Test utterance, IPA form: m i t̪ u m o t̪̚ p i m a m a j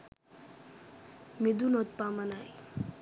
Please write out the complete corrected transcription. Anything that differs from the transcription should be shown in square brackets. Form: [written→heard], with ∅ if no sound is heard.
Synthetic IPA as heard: m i [t̪→d̪] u [m→n] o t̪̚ p [i→a] m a [m→n] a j